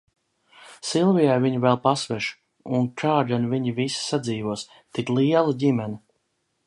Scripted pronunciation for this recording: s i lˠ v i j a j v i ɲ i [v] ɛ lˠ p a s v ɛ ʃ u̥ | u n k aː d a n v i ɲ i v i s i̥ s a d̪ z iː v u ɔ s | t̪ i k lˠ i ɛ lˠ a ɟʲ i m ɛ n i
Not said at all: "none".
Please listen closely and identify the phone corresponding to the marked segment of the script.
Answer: v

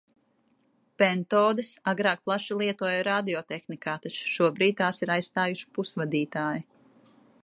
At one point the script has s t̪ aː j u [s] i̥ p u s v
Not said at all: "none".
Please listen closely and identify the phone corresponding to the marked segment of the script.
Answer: ʃ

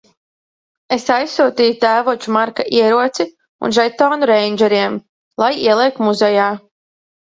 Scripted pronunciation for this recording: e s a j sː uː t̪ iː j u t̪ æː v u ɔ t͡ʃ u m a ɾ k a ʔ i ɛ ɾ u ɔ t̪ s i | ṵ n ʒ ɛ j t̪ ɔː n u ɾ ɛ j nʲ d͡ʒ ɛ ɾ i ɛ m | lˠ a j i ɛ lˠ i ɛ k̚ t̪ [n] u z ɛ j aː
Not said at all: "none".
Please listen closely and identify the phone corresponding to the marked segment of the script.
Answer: m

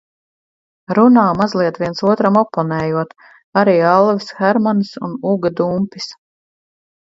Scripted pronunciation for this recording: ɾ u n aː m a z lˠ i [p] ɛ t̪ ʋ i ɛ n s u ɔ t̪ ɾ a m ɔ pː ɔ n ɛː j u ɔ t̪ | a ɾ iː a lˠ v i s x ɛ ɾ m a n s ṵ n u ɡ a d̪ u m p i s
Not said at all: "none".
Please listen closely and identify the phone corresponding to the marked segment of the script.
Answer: none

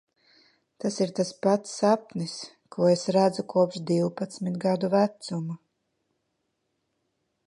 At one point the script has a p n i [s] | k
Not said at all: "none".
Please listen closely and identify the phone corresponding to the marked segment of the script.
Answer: s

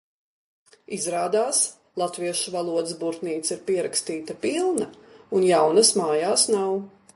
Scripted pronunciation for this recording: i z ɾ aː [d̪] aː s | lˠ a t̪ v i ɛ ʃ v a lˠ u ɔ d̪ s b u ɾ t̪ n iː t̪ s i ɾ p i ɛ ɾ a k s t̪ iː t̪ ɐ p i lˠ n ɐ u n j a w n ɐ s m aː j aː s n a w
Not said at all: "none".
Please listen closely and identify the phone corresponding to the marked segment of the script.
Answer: d̪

